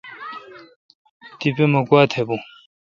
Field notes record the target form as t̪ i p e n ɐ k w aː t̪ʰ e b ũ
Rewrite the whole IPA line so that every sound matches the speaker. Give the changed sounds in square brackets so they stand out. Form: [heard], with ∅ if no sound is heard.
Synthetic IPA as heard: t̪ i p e [m] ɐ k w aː t̪ʰ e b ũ